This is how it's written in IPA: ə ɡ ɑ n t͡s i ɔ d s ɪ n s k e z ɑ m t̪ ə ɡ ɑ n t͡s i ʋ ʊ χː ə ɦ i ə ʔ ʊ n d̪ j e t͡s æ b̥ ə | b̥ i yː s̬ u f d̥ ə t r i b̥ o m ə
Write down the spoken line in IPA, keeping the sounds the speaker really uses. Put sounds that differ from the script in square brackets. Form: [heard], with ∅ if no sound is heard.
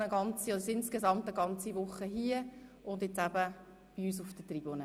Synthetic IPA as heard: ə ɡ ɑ n t͡s i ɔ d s ɪ n s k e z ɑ m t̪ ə ɡ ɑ n t͡s i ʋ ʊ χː ə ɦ i ə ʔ ʊ n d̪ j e t͡s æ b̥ ə | b̥ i yː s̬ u f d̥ ə t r i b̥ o [n] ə